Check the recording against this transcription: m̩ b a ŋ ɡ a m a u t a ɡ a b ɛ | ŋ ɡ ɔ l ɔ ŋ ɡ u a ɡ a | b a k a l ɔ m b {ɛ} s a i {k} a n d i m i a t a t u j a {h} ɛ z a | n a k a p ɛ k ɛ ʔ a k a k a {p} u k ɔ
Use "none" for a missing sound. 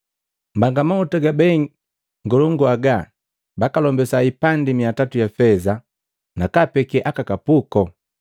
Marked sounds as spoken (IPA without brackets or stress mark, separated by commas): ɛ, p, f, p